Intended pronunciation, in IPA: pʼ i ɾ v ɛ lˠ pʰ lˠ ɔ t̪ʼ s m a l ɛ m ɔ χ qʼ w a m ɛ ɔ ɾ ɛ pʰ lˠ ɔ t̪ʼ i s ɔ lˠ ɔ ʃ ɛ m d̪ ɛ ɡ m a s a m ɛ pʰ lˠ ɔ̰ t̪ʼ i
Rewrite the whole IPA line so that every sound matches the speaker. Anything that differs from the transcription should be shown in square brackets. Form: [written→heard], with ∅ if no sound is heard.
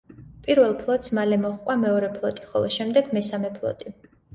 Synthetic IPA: pʼ i ɾ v ɛ lˠ pʰ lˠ ɔ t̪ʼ s m a l ɛ m ɔ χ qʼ w a m ɛ ɔ ɾ ɛ pʰ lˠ ɔ t̪ʼ i [s→χ] ɔ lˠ ɔ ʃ ɛ m d̪ ɛ ɡ m [a→ɛ] s a m ɛ pʰ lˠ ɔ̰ t̪ʼ i